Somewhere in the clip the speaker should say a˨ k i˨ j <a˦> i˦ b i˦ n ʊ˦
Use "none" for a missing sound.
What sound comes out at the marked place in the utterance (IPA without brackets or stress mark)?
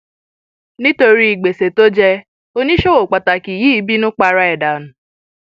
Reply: i˦